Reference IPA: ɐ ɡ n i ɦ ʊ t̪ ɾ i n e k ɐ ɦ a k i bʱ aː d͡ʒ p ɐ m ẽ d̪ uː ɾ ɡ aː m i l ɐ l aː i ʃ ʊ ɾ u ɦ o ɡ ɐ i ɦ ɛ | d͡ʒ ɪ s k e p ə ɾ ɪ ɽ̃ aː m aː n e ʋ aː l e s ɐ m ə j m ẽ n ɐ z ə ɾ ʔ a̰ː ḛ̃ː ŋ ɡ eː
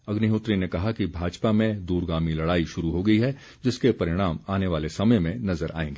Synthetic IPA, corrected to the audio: ɐ ɡ n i ɦ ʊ t̪ ɾ i n e k ɐ ɦ a k i bʱ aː d͡ʒ p a m ẽ d̪ uː ɾ ɡ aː m i l ɐ ɽ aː i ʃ ʊ ɾ u ɦ o ɡ ɐ i ɦ ɛ | d͡ʒ ɪ s k e p ɐ ɾ ɪ ɽ̃ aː m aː n e ʋ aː l e s ɐ m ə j m ẽ n ɐ z ə ɾ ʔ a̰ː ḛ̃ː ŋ ɡ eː